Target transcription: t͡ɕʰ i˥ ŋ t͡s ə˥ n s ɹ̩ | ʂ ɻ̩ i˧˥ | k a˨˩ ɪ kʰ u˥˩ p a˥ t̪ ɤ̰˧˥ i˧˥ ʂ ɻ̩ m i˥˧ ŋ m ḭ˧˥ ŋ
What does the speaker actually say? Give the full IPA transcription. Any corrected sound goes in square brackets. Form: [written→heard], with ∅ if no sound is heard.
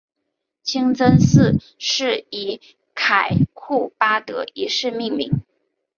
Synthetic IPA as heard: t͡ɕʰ i˥ ŋ t͡s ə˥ n s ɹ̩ | ʂ ɻ̩ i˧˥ | [k→kʰ] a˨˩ ɪ kʰ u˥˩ p a˥ t̪ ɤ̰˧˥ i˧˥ ʂ ɻ̩ m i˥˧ ŋ m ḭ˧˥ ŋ